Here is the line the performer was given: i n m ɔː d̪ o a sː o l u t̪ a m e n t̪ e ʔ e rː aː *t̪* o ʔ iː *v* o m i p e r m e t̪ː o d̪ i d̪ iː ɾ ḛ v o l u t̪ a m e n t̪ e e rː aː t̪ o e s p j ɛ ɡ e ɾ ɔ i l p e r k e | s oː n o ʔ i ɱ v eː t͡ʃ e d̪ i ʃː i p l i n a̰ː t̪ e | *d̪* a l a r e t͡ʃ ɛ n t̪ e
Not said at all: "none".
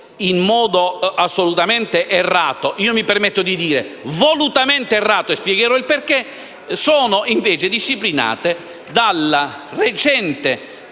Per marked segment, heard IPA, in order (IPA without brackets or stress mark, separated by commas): t̪, none, d̪